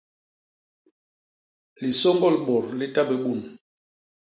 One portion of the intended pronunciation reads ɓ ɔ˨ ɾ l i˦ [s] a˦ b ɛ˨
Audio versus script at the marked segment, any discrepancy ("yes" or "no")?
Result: yes